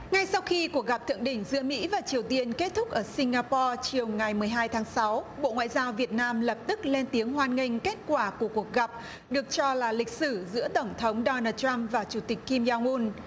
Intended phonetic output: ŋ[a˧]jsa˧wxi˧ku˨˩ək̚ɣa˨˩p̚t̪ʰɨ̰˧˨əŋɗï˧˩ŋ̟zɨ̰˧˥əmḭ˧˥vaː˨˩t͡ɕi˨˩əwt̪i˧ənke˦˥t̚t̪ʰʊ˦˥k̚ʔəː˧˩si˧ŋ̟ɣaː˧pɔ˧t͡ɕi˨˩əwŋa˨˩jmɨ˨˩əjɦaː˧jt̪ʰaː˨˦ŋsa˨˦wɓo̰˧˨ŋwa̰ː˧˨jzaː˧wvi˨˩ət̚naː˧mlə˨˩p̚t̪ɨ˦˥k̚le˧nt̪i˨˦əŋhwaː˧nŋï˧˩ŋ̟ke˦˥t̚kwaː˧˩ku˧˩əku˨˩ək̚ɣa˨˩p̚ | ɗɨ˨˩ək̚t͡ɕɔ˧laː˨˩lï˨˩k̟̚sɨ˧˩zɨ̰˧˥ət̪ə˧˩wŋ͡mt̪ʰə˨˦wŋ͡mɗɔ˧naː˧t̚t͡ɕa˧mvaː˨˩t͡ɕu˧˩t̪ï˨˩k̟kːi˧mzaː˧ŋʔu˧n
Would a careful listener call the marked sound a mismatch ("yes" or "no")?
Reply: no